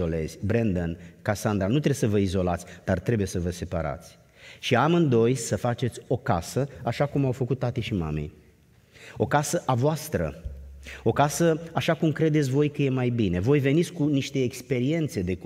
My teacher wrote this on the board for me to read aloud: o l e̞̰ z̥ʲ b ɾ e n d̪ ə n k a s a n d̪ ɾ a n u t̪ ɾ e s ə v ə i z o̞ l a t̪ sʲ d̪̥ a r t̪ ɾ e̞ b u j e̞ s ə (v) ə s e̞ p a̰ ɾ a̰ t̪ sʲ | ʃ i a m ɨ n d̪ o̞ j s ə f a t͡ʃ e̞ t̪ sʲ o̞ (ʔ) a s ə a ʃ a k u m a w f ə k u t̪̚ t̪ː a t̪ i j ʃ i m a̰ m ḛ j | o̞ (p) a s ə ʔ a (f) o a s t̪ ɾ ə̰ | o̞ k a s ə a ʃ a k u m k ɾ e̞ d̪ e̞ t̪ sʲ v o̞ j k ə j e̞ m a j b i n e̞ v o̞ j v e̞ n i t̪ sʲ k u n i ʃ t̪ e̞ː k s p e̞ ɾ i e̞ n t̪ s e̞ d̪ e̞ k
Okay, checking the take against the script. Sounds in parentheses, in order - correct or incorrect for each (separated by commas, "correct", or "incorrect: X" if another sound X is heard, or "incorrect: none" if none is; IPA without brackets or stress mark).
correct, incorrect: k, incorrect: k, incorrect: v